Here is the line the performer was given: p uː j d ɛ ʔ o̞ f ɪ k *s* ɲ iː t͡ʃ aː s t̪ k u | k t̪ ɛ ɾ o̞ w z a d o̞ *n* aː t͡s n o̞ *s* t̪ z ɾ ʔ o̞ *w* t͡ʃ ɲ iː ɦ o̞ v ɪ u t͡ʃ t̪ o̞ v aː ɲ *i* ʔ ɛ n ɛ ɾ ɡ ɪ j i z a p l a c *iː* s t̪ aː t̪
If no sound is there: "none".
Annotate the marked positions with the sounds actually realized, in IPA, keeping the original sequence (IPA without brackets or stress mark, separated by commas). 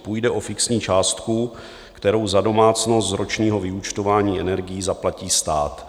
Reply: s, m, s, none, iː, iː